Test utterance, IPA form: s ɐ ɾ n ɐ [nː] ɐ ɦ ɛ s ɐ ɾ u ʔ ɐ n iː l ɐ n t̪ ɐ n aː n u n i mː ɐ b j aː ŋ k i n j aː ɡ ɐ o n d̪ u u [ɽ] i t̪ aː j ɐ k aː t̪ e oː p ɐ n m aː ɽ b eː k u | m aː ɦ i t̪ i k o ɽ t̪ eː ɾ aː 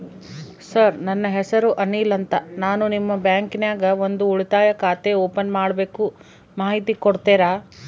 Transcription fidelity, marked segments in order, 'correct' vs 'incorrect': correct, incorrect

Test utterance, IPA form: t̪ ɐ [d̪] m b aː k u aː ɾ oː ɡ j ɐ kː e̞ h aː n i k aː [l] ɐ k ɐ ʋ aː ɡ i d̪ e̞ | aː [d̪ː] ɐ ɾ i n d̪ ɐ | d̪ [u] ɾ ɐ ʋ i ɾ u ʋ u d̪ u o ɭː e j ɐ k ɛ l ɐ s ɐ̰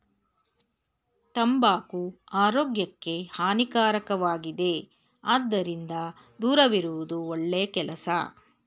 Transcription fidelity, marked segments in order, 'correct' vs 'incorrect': incorrect, incorrect, correct, incorrect

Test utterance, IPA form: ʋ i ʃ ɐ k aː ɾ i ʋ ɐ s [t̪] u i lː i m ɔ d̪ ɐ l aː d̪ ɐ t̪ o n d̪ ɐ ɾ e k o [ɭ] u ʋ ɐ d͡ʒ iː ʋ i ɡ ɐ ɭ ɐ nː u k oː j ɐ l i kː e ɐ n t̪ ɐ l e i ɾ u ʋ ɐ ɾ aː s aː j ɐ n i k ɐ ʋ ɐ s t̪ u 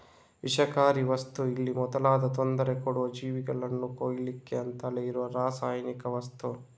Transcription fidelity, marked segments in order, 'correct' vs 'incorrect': correct, incorrect

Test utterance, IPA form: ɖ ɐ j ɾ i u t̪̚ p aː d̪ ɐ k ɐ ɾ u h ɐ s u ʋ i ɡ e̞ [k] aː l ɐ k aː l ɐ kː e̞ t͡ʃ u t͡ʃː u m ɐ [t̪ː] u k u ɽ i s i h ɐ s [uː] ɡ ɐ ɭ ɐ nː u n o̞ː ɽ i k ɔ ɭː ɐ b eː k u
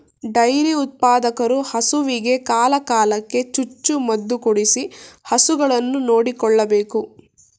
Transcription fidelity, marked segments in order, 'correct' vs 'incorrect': correct, incorrect, incorrect

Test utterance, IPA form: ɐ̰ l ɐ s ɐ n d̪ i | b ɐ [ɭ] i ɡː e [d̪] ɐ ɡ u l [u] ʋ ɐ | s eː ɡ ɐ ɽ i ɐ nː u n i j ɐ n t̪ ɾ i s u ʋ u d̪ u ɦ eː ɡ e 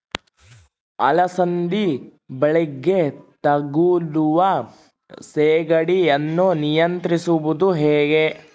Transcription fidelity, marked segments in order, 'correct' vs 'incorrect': correct, incorrect, correct

